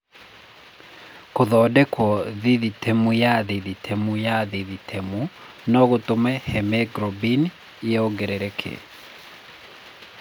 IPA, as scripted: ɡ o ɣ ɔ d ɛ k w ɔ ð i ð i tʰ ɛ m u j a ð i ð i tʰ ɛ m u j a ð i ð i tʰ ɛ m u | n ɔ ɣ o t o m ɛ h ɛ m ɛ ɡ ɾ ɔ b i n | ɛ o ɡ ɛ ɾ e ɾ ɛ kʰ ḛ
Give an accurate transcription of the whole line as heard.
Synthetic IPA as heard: k o ð ɔ d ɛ k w ɔ ð i ð i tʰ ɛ m u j a ð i ð i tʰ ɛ m u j a ð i ð i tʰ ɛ m u | n ɔ ɣ o t o m ɛ h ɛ m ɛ ɡ ɾ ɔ b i n | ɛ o ɡ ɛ ɾ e ɾ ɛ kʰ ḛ